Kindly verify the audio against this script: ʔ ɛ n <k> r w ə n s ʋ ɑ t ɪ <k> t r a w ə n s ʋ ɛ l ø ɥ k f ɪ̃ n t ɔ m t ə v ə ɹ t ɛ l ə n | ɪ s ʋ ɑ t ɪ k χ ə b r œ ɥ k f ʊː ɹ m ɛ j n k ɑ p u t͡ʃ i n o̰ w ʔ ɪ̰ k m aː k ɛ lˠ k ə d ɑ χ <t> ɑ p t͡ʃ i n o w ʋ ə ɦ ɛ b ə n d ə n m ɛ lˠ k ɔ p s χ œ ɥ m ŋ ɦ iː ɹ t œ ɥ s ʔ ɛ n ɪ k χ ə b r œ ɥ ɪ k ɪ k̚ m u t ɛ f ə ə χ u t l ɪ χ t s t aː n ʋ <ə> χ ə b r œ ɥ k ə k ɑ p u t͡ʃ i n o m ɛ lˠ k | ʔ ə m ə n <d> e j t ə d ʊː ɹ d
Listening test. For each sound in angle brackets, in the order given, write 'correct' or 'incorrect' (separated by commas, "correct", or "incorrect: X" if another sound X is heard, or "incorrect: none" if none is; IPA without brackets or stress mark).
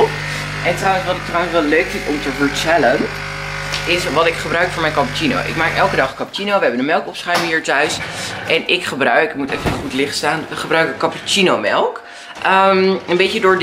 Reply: incorrect: t, correct, incorrect: k, correct, incorrect: b